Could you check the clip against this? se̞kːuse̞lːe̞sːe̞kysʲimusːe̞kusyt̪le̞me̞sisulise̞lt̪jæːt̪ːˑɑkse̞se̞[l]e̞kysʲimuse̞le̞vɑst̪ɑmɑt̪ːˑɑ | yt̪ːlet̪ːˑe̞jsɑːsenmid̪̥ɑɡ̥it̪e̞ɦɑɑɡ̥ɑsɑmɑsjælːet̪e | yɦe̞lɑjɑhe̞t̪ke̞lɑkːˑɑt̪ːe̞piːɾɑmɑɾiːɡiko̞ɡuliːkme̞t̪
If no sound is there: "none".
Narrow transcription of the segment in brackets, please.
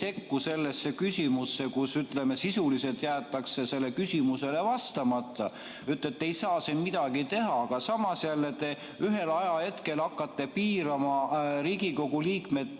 lː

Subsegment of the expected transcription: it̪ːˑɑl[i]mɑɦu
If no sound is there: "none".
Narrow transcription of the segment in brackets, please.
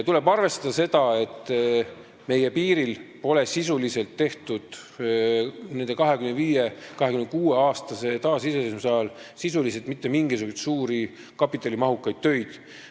i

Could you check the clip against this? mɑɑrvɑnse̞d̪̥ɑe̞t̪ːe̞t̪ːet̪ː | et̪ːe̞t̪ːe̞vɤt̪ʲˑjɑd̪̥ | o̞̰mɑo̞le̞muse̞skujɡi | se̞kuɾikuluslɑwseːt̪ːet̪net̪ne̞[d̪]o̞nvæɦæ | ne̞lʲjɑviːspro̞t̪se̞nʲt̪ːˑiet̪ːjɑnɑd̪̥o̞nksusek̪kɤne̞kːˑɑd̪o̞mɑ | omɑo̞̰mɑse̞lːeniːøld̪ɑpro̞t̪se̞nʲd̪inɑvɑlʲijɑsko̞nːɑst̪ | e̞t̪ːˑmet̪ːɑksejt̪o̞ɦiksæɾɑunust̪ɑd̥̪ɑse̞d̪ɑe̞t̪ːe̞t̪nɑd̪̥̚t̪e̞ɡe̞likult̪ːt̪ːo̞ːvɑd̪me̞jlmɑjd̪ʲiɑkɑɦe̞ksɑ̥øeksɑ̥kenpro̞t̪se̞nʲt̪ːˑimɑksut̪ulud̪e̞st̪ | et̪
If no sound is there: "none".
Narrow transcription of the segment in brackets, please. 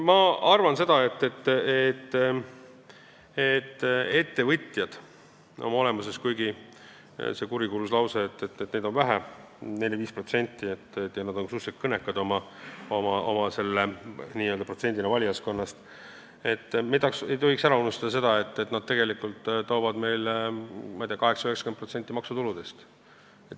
d̪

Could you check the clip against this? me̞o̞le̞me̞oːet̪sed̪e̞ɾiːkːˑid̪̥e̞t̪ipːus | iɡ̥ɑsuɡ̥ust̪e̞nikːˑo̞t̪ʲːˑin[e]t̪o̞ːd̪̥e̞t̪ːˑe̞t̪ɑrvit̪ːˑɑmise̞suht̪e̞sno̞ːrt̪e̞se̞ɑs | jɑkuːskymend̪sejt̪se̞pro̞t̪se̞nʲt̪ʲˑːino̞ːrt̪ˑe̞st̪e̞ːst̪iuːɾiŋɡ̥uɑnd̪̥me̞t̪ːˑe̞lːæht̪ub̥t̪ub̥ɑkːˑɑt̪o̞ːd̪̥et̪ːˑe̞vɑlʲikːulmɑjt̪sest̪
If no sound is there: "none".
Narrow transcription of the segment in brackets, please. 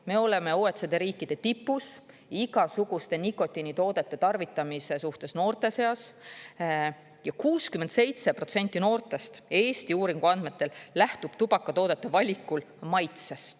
i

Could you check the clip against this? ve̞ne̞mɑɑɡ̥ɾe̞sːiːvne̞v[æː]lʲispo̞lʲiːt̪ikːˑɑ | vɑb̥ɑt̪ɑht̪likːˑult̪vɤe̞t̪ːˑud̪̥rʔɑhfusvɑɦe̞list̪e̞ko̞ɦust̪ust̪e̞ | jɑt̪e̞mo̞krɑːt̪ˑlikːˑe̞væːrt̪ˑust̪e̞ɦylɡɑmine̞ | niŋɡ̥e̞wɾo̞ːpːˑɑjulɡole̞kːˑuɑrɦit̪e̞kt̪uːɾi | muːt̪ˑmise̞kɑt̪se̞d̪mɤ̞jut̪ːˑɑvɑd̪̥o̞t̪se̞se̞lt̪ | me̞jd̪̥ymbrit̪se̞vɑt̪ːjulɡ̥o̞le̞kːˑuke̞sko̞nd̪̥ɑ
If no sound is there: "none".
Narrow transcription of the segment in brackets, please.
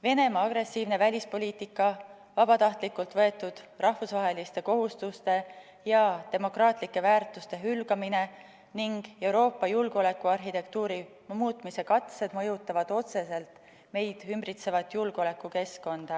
æ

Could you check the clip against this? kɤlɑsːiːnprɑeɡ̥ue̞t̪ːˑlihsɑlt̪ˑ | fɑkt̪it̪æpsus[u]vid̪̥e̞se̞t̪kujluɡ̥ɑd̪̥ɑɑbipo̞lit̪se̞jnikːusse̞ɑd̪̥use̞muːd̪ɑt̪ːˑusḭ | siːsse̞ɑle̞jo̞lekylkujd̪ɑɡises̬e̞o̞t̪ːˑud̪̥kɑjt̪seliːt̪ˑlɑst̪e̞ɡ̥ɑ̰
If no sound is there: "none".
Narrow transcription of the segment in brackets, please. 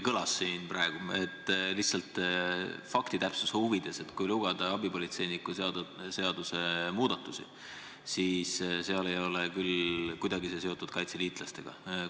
u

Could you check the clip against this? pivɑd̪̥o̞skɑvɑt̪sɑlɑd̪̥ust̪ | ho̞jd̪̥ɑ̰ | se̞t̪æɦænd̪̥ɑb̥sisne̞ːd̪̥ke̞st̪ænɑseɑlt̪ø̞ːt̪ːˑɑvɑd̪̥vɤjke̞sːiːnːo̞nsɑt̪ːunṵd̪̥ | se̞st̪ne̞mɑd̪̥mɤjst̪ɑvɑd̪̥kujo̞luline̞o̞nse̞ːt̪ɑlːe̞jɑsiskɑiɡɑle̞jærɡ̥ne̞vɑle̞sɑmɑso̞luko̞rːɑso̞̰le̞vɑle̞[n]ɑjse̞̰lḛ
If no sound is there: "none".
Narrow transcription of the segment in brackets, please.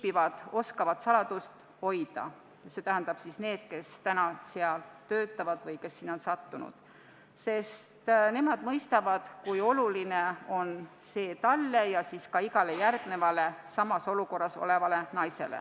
n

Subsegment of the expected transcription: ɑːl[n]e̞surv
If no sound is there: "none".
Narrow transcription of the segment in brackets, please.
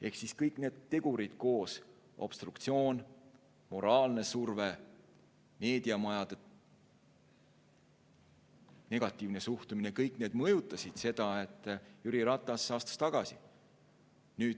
n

